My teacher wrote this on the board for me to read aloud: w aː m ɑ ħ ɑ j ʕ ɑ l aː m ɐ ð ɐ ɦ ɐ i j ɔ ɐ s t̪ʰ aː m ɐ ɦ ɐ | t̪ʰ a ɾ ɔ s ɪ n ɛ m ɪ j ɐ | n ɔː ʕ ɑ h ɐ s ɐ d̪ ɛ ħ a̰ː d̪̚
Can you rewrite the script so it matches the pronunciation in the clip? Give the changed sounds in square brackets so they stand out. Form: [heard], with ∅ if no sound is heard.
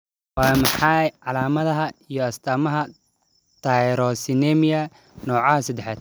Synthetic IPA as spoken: w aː m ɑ ħ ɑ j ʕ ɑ l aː m ɐ ð ɐ ɦ ɐ i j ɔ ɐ s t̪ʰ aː m ɐ ɦ ɐ | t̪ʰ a ɾ ɔ s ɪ n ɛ m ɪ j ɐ | n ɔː ʕ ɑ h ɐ s ɐ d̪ ɛ ħ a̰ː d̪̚